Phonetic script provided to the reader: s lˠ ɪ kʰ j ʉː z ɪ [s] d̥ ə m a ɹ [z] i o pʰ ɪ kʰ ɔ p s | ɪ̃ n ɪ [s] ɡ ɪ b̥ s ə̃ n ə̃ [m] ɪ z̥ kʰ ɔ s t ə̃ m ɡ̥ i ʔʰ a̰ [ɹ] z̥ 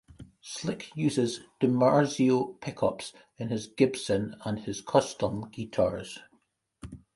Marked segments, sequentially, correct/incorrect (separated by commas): incorrect, correct, incorrect, incorrect, correct